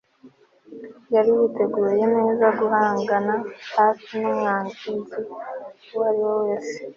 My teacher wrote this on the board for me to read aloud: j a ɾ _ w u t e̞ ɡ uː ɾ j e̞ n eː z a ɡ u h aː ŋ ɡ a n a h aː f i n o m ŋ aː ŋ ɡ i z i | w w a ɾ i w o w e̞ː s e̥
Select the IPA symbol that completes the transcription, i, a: i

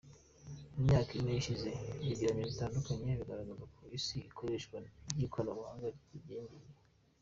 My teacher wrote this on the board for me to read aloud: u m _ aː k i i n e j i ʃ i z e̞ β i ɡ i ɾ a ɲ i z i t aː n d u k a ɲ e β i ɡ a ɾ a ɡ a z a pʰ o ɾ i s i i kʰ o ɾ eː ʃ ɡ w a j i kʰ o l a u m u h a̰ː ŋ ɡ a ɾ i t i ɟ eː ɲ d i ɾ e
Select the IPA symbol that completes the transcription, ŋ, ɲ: ɲ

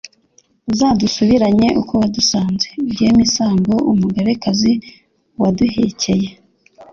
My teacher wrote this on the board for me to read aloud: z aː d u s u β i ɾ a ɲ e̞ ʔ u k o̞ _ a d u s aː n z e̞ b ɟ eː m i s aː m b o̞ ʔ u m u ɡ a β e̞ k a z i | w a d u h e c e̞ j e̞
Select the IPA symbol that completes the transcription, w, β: w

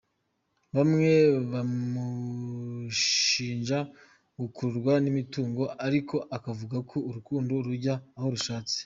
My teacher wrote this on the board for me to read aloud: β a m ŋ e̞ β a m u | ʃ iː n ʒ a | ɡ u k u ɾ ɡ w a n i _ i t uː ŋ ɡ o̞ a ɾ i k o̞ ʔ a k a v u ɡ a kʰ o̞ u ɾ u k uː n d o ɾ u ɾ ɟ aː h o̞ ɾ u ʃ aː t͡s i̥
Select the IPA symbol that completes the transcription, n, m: m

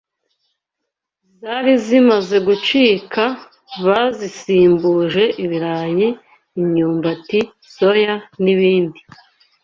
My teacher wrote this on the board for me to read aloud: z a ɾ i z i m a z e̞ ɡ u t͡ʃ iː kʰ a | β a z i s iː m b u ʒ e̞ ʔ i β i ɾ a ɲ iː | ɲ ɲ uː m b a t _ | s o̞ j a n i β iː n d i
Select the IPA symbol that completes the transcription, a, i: i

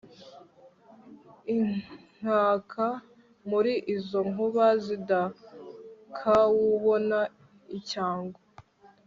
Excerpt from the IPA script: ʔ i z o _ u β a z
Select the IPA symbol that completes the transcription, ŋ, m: ŋ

